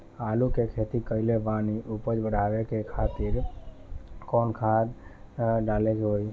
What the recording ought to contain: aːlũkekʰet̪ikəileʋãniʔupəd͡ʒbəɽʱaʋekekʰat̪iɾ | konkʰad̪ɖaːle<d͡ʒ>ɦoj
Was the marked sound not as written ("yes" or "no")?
no